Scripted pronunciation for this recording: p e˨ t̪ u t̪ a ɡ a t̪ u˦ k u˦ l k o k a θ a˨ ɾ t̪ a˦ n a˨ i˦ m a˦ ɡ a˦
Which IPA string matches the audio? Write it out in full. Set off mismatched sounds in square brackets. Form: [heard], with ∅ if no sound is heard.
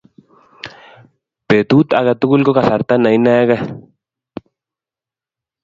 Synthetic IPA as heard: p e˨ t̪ u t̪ a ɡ a t̪ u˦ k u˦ l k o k a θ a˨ ɾ t̪ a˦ n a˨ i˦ [n] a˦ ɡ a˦